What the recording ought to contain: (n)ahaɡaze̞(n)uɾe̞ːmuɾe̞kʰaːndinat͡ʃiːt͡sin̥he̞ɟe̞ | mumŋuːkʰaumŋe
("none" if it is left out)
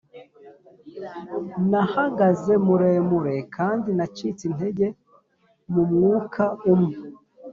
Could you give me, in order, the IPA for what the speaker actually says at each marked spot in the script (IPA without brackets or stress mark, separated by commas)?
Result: n, m